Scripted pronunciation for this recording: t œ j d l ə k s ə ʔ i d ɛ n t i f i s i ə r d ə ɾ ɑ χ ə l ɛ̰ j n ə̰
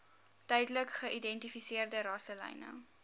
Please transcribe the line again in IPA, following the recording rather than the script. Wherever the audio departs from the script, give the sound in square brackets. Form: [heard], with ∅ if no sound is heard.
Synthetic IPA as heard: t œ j d l ə k [χ] ə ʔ i d ɛ n t i f i s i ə r d ə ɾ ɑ [s] ə l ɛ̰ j n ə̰